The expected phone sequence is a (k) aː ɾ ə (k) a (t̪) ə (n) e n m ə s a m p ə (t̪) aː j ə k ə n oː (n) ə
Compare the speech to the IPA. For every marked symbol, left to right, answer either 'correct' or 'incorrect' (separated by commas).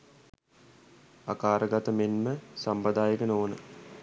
correct, incorrect, correct, incorrect, incorrect, correct